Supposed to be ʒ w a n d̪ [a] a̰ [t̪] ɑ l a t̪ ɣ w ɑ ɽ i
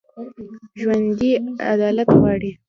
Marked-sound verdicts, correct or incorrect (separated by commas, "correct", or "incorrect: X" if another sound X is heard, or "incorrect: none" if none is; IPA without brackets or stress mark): incorrect: i, incorrect: d̪